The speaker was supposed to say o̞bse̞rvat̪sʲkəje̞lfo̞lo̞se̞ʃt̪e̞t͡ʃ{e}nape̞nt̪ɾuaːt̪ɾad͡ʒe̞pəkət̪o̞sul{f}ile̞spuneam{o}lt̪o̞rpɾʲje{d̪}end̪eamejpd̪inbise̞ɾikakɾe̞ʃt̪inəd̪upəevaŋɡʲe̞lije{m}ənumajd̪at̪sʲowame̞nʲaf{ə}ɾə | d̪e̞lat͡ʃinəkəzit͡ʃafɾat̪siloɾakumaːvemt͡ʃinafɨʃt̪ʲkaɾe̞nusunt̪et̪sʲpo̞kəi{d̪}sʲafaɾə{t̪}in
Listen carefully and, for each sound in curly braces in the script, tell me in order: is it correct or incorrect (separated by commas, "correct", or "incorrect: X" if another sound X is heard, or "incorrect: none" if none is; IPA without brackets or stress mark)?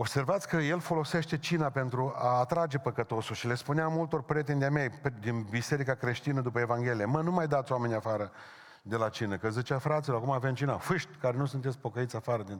incorrect: i, incorrect: ʃ, incorrect: u, incorrect: t̪, correct, incorrect: a, incorrect: t̪, incorrect: d̪